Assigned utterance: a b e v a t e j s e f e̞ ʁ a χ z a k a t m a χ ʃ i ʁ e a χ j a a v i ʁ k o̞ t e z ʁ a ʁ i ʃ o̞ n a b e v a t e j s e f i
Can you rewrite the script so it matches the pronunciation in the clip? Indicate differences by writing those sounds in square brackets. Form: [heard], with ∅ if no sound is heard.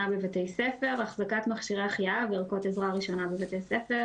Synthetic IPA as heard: a b e v a t e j s e f e̞ ʁ a χ z a k a t m a χ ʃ i ʁ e a χ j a a v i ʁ k o̞ t e z ʁ a ʁ i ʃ o̞ n a b e v a t e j s e f [e]